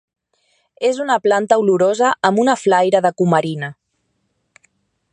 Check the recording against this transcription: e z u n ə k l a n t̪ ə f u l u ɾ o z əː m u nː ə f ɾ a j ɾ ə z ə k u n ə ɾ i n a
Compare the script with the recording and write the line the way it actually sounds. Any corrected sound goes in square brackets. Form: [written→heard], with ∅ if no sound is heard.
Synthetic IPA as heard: e z u n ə [k→p] l a n t̪ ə [f→∅] u l u ɾ o z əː m u [nː→n] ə f [ɾ→l] a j ɾ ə [z→ð] ə k u [n→m] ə ɾ i n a

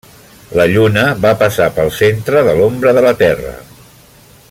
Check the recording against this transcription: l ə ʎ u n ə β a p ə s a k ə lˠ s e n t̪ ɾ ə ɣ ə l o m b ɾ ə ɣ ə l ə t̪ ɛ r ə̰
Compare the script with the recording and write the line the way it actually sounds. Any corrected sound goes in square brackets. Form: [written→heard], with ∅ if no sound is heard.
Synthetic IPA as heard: l ə ʎ u n ə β a p ə s a [k→p] ə lˠ s e n t̪ ɾ ə [ɣ→ð] ə l o m b ɾ ə [ɣ→ð] ə l ə t̪ ɛ r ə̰

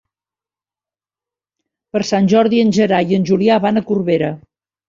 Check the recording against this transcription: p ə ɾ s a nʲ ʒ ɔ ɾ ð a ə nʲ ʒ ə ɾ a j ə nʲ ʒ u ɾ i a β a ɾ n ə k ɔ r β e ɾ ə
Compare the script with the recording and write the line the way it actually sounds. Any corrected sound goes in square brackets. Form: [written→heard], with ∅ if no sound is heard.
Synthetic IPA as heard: p ə ɾ s a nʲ ʒ ɔ ɾ ð [a→i] ə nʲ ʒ ə ɾ a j ə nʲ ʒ u [ɾ→l] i a β a [ɾ→∅] n ə k [ɔ→u] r β e ɾ ə

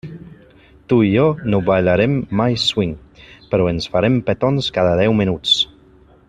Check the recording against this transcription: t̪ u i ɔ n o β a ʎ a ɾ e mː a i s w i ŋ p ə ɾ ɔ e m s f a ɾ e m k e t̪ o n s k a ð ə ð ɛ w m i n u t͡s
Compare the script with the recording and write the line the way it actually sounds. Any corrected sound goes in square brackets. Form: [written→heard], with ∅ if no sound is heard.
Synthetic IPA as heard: t̪ u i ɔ n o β a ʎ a ɾ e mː a [i→j] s w i ŋ p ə ɾ ɔ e [m→n] s f a ɾ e m [k→p] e t̪ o n s k a ð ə ð ɛ w m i n u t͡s

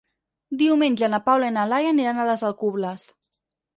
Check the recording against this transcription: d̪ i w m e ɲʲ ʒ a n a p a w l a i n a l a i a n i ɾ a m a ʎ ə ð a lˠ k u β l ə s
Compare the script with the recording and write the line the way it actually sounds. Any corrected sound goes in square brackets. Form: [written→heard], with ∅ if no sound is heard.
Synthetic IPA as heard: d̪ i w m e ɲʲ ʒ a n a p a w l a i n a l a [i→j] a n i ɾ a [m→n] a [ʎ→l] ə [ð→z] a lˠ k u β l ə s

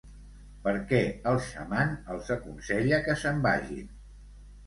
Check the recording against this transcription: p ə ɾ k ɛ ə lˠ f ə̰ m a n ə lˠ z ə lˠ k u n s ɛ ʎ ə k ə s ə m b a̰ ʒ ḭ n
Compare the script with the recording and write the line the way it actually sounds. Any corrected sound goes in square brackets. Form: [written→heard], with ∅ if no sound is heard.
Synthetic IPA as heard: p ə ɾ k ɛ ə lˠ [f→ʃ] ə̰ m a n ə lˠ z ə [lˠ→∅] k u n s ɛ ʎ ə k ə s ə m b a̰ ʒ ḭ n

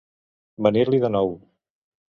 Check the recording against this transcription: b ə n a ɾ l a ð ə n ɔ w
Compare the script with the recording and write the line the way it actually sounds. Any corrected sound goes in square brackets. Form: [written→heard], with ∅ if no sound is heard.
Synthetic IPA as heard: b ə n [a→i] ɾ l [a→i] ð ə n ɔ w

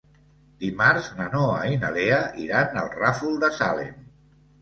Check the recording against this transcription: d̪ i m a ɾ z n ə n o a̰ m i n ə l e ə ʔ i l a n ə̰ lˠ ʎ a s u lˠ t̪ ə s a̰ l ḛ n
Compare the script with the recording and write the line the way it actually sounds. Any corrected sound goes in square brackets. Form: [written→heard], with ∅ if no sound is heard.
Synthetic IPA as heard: d̪ i m a ɾ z n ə n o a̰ [m→∅] i n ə l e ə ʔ i [l→ɾ] a n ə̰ lˠ [ʎ→r] a [s→f] u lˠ [t̪→d̪] ə s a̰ l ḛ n

